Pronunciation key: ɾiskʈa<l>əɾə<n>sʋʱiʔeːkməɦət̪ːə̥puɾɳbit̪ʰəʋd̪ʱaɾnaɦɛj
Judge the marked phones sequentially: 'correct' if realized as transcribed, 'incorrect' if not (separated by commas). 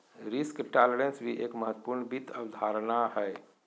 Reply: correct, correct